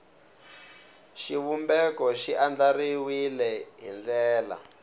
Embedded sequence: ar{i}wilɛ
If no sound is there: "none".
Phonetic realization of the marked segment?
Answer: i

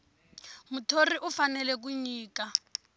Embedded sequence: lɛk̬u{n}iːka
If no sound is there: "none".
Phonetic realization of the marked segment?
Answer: ɲ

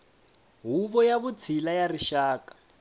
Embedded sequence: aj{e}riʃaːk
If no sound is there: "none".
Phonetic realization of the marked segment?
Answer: a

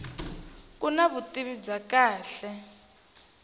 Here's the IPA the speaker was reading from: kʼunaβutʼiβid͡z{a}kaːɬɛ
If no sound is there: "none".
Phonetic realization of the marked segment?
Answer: a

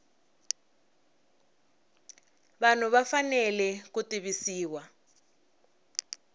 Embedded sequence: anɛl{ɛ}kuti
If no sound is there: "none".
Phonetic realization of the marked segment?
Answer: ɛ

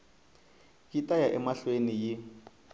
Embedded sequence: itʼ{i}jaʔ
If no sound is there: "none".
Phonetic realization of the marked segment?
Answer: a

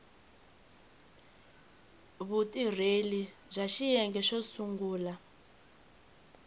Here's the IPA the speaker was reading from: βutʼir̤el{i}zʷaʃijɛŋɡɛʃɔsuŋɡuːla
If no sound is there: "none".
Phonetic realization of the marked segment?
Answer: i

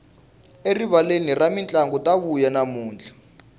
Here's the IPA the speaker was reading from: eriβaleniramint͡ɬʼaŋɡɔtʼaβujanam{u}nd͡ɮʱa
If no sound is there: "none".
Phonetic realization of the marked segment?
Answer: uː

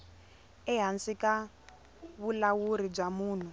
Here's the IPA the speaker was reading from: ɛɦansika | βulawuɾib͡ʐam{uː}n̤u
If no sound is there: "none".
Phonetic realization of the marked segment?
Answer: uː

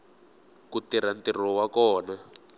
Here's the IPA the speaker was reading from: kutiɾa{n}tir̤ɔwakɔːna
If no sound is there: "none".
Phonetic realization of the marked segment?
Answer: n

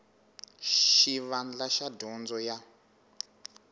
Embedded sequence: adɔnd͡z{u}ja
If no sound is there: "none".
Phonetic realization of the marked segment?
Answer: ɔ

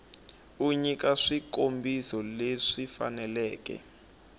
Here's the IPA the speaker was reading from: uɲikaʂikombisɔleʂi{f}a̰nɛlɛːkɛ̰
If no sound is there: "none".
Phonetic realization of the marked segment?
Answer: f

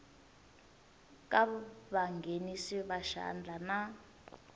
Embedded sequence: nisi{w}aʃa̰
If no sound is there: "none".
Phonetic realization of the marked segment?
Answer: β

